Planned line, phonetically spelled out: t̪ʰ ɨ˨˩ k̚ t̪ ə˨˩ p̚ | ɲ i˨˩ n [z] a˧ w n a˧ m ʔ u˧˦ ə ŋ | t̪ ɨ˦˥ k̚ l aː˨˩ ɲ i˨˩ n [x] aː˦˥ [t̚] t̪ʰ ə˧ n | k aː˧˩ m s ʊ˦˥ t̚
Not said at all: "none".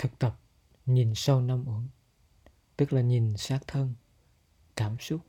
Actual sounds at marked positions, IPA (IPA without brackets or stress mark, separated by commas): s, s, k̚